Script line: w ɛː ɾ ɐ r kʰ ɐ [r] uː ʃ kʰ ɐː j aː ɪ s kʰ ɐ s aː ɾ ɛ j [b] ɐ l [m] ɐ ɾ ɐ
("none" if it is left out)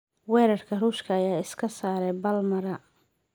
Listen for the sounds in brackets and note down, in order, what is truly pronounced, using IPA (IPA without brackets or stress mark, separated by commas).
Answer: r, b, m